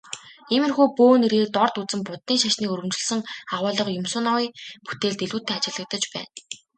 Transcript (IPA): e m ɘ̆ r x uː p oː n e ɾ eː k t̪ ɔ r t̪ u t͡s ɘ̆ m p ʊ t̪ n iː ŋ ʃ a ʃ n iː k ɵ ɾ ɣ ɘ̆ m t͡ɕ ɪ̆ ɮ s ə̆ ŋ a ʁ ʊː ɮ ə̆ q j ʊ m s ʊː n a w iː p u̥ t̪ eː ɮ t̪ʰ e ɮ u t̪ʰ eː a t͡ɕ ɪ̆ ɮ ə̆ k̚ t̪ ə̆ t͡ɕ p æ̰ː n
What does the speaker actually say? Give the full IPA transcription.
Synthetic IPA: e m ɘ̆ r x uː p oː n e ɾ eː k t̪ ɔ r t̪ u t͡s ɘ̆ m p ʊ t̪ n iː ŋ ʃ a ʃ n iː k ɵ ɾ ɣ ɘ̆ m t͡ɕ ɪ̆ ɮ s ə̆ ŋ a ʁ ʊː ɮ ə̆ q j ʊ m s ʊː n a w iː p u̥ t̪ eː ɮ t̪ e ɮ uː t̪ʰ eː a t͡ɕ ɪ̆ ɮ ə̆ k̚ t̪ ə̆ t͡ɕ p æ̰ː n

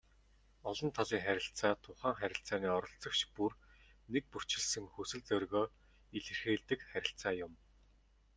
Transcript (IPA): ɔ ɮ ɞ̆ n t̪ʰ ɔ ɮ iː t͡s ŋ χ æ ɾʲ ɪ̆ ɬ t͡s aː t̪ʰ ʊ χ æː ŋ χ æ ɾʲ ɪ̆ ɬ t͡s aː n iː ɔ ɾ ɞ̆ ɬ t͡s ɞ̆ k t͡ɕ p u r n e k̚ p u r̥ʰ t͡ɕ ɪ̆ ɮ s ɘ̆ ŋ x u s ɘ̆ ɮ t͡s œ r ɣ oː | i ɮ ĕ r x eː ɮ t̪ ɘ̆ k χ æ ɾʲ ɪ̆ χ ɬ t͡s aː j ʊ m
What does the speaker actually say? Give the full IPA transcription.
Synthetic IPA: ɔ ɮ ɞ̆ n t̪ʰ ɔ ɮ iː ŋ χ æ ɾʲ ɪ̆ ɬ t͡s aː t̪ʰ ʊ χ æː ŋ χ æ ɾʲ ɪ̆ ɬ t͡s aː n iː ɔ ɾ ɞ̆ ɬ t͡s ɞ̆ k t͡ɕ p u r n e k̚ p u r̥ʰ t͡ɕ ɪ̆ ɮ s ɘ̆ ŋ x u s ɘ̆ ɮ t͡s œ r ɣ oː | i ɮ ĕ r x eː ɮ t̪ ɘ̆ k χ æ ɾʲ ɪ̆ ɬ t͡s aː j ʊ m

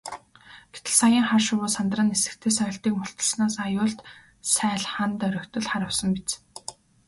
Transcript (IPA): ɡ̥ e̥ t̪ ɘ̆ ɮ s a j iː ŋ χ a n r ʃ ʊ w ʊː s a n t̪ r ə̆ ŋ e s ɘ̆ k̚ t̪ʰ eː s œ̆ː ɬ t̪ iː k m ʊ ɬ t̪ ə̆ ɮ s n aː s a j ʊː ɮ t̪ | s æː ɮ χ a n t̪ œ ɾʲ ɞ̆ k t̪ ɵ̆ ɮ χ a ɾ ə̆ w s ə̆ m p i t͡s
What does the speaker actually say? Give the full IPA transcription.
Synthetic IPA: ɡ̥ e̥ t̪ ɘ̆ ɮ s a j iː ŋ χ a r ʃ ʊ w ʊː s a n t̪ r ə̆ n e s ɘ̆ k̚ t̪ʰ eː s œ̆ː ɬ t̪ iː k m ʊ ɬ t̪ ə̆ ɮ s n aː s a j ʊː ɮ t̪ | s æː ɮ χ a n t̪ œ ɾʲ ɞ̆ k t̪ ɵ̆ ɮ χ a ɾ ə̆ w s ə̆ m p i t͡s

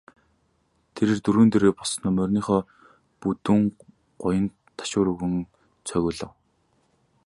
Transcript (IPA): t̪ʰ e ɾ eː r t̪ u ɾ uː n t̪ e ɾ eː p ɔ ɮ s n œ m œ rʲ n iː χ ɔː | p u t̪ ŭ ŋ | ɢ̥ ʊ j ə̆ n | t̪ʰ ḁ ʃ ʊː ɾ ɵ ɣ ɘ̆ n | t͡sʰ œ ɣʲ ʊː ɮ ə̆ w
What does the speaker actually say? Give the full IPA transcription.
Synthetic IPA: t̪ʰ e ɾ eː r t̪ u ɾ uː n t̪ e ɾ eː p ɔ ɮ s n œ m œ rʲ n iː χ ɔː | p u t̪ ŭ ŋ | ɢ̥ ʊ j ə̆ n | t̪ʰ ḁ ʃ ʊː ɾ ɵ ɣ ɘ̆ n | t͡sʰ œ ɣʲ ʊː ɮ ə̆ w

